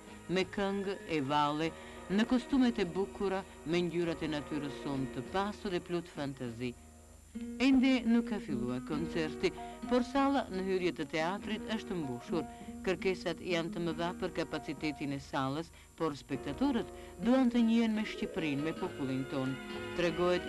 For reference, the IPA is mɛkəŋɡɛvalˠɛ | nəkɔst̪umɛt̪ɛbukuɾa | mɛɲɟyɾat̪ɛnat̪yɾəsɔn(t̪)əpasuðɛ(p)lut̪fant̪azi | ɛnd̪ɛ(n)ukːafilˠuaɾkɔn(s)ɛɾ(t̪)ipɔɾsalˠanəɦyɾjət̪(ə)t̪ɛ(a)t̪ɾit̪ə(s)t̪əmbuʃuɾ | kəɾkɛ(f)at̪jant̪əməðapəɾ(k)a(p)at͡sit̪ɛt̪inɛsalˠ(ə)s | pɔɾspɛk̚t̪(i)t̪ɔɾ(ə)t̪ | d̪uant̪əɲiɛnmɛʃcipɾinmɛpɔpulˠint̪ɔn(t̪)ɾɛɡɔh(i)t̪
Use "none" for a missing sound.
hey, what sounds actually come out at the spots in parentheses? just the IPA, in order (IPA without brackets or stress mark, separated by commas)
t̪, p, n, t͡s, t̪, ə, a, ʃ, s, k, p, ə, a, ə, t̪, ɛ